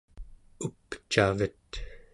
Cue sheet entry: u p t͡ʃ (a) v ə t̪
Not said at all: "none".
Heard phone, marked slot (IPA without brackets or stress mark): a